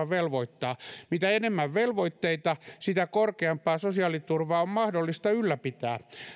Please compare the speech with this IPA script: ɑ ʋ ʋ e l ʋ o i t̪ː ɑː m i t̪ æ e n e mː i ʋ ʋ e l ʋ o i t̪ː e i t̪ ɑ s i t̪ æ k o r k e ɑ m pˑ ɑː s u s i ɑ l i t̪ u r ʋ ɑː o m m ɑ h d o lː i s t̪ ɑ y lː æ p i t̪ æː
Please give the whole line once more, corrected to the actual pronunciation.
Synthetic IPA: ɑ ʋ ʋ e l ʋ o i t̪ː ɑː m i t̪ æ e n e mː æ ʋ ʋ e l ʋ o i t̪ː e i t̪ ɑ s i t̪ æ k o r k e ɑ m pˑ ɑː s o s i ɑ l i t̪ u r ʋ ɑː o m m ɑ h d o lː i s t̪ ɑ y lː æ p i t̪ æː

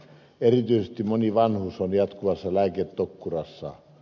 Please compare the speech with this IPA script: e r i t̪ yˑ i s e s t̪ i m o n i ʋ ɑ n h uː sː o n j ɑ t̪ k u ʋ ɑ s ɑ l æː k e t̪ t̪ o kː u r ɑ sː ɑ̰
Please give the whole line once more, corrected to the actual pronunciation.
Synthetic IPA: e r i t̪ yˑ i s e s t̪ i m o n i ʋ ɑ n h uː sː o n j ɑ t̪ k u ʋ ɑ sː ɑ l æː k e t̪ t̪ o kː u r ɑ sː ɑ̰

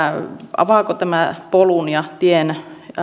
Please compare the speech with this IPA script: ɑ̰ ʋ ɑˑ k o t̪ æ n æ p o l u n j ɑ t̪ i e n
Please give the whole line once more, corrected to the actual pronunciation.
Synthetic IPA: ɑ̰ ʋ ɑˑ k o t̪ æ m æ p o l u n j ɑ t̪ i e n

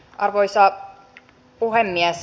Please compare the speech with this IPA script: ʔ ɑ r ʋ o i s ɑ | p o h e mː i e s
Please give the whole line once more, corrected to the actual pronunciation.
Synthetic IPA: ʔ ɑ r ʋ o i s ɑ | p u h e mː i æ s

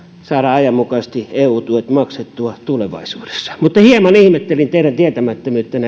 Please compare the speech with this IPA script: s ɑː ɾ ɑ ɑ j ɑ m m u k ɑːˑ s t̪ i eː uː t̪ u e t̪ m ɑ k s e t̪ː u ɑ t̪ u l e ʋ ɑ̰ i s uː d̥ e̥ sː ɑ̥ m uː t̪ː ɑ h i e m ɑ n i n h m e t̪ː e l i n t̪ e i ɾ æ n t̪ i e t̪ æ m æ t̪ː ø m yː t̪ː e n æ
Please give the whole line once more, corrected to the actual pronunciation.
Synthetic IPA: s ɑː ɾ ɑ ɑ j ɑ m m u k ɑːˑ s t̪ i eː uː t̪ u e t̪ m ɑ k s e t̪ː u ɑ t̪ u l e ʋ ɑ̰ i s uː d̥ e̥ sː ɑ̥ m u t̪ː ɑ h i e m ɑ n i h m e t̪ː e l i n t̪ e i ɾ æ n t̪ i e t̪ æ m æ t̪ː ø m yː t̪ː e n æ

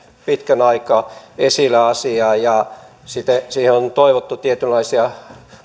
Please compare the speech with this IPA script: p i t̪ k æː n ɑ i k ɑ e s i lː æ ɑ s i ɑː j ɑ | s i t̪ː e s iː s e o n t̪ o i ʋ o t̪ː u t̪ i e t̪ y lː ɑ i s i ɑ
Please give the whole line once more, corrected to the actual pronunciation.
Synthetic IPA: p i t̪ k æ n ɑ i k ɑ e s i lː æ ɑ s i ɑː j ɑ | s i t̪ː e s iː h e o n t̪ o i ʋ o t̪ː u t̪ i e t̪ y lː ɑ i s i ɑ

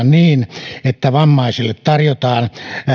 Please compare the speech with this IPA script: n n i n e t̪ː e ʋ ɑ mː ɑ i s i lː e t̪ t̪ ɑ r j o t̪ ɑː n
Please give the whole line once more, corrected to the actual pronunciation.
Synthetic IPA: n n iː n e t̪ː æ ʋ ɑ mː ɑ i s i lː e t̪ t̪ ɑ r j o t̪ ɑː n

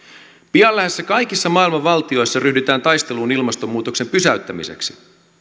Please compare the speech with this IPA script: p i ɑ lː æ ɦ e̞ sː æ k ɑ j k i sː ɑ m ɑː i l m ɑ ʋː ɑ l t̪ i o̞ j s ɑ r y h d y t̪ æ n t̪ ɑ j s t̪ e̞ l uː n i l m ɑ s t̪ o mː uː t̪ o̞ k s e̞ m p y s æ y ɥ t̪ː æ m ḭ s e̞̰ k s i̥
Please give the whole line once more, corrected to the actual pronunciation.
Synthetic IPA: p i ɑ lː æ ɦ e̞ sː æ k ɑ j k i sː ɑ m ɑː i l m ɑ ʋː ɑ l t̪ i o̞ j sː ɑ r y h d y t̪ æː n t̪ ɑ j s t̪ e̞ l uː n i l m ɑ s t̪ o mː uː t̪ o̞ k s e̞ m p y s æ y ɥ t̪ː æ m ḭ s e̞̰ k s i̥

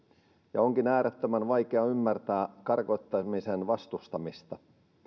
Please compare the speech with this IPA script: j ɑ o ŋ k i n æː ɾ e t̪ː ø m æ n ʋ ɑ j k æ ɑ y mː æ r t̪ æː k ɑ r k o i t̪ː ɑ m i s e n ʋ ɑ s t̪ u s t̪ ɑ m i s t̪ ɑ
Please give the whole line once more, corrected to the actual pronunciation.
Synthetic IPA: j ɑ o ŋ k i n æː ɾ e t̪ː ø m æ n ʋ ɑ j k e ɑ y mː æ r t̪ æː k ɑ r k o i t̪ː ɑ m i s e n ʋ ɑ s t̪ u s t̪ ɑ m i s t̪ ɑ

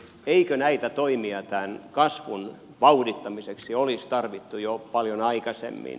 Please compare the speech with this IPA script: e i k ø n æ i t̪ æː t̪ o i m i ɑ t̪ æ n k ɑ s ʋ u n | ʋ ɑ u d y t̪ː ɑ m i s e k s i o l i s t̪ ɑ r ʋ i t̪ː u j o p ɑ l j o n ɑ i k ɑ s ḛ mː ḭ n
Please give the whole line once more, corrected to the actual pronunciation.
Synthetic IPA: e i k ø n æ i t̪ æ t̪ o i m i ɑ t̪ æ n k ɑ s ʋ u n | ʋ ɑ u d i t̪ː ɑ m i s e k s i o l i s t̪ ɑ r ʋ i t̪ː u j o p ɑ l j o n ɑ i k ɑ s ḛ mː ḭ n

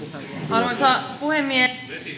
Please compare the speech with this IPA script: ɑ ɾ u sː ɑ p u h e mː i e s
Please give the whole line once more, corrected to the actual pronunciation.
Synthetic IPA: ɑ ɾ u s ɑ p u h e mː i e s

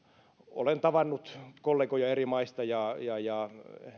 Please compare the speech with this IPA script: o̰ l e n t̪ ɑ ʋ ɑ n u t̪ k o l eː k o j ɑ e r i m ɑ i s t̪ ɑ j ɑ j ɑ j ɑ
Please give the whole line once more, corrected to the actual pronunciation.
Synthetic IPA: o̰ l e n t̪ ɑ ʋ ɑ nː u t̪ k o lː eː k o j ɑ e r i m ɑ i s t̪ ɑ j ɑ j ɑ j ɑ

